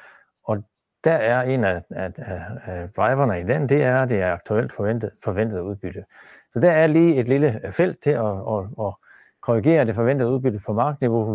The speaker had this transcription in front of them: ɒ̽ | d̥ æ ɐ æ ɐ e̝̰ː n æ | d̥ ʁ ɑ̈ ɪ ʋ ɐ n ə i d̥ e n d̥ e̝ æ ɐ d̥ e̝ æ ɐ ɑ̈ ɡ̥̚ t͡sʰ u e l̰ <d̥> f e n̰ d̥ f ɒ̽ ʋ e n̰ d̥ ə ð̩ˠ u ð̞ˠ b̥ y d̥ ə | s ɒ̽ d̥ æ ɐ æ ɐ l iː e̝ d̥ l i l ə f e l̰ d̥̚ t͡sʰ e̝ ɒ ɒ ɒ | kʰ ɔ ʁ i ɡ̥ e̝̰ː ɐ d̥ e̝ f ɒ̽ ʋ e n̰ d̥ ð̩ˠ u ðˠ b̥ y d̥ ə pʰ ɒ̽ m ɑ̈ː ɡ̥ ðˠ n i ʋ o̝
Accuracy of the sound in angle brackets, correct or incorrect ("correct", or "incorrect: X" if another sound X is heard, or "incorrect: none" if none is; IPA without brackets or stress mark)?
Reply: correct